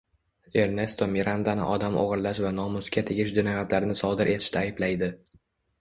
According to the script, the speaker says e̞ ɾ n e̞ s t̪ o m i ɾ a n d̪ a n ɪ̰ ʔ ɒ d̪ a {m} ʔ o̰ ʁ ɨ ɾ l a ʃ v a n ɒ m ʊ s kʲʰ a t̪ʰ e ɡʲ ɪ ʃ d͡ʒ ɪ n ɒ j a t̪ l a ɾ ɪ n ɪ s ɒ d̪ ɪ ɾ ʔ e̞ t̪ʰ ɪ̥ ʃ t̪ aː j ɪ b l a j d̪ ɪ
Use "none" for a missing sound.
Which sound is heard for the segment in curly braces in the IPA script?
m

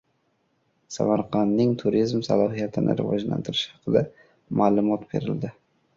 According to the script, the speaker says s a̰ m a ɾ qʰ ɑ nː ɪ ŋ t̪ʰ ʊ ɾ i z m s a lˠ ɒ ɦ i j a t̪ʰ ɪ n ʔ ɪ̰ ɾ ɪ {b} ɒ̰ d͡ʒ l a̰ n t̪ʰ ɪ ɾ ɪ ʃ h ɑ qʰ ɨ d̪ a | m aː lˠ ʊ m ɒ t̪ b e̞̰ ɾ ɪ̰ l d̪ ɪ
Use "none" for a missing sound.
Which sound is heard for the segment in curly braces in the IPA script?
v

